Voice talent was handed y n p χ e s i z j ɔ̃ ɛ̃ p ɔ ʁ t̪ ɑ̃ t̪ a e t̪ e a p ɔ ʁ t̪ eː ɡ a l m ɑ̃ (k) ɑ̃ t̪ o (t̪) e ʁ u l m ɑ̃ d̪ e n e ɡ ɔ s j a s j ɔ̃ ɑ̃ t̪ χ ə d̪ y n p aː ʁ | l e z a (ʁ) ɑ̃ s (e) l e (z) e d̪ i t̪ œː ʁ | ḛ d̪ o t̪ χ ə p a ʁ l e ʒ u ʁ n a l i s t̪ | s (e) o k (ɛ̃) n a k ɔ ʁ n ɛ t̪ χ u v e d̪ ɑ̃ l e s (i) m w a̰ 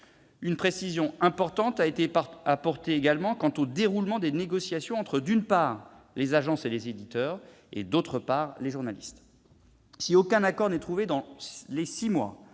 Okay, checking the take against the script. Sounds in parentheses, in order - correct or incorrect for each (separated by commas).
correct, incorrect, incorrect, correct, correct, incorrect, correct, correct